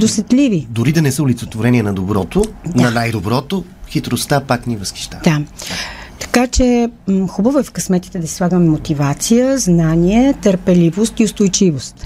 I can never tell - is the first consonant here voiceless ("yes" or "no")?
no